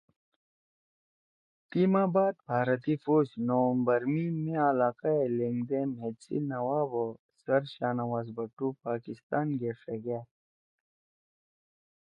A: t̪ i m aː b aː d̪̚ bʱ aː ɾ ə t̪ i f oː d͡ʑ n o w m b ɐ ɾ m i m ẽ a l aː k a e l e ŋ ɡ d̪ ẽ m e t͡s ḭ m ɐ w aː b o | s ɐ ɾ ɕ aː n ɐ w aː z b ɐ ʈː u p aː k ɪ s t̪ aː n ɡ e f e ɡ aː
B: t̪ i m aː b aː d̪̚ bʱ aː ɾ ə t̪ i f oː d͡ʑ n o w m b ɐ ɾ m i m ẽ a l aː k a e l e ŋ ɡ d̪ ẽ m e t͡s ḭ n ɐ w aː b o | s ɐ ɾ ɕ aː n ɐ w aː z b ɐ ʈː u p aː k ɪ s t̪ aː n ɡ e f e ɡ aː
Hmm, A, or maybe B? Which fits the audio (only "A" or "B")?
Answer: B